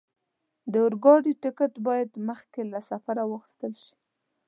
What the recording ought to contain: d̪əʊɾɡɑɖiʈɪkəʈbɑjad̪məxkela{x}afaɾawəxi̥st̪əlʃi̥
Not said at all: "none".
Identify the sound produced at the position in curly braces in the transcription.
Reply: s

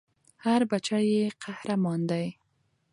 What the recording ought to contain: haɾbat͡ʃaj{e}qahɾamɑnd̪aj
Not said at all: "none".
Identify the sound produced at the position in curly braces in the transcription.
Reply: e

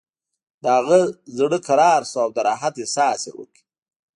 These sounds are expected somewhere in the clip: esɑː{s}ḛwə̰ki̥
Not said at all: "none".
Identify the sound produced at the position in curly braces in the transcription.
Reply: s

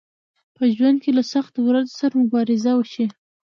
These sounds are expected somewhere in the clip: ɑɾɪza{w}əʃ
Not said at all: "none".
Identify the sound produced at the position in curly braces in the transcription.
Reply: w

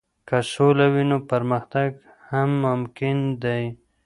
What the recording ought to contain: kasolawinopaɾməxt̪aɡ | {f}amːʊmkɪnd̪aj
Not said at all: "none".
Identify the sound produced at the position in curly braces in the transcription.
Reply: h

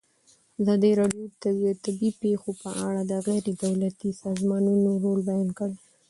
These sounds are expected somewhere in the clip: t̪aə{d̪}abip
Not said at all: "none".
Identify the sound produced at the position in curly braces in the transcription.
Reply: t̪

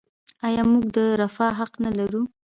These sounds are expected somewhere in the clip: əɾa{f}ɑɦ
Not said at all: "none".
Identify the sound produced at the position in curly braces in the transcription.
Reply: f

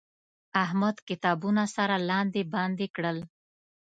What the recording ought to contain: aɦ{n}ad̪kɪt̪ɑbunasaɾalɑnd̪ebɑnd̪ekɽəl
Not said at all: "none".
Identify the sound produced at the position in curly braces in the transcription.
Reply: m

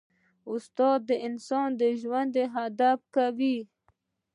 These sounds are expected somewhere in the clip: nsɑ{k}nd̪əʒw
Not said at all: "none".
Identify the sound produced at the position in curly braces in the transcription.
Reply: none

